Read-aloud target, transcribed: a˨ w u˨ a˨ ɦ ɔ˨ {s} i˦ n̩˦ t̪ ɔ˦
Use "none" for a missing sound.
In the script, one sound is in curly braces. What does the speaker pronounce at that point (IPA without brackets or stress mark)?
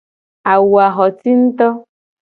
t